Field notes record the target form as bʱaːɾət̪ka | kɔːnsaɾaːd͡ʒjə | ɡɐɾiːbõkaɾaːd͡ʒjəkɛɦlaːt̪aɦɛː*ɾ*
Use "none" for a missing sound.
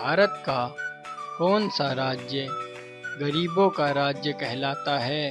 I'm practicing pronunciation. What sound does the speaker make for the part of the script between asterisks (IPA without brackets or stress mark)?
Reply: none